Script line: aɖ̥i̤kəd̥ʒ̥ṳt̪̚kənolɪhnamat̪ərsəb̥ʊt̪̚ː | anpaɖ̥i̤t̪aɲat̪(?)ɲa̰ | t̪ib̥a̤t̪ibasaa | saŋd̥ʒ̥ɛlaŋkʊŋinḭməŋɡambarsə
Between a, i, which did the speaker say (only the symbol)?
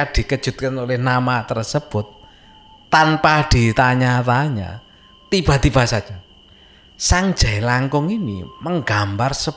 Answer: a